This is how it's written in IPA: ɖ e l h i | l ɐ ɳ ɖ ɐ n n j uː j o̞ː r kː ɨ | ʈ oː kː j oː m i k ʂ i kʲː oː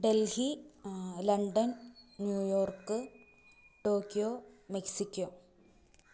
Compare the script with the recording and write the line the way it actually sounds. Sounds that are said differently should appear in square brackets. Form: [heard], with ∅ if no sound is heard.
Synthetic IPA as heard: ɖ e l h i | l ɐ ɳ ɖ ɐ n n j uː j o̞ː r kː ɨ | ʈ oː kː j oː m [e] k [s] i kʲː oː